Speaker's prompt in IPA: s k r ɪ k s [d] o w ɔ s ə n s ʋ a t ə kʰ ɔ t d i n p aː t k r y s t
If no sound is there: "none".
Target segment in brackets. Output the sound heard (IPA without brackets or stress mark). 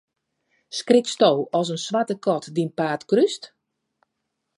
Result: t